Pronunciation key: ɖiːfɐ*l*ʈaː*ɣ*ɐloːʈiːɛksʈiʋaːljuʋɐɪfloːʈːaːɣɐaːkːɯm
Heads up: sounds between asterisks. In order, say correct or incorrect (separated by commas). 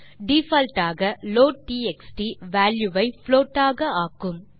correct, correct